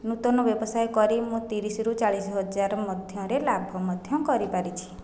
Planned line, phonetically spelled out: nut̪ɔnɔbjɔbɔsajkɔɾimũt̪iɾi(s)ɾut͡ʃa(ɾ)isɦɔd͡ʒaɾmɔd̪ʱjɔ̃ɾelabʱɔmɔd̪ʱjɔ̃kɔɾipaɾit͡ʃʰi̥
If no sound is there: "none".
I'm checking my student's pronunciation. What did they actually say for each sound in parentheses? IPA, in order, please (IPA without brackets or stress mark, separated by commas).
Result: s, ɭ